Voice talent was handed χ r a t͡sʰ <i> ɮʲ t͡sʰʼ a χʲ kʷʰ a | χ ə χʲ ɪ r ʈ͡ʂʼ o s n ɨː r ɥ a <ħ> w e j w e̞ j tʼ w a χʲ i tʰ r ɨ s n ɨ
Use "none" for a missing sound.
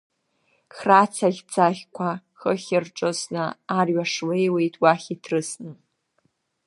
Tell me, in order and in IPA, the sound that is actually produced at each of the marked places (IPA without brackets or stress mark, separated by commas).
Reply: a, ʂ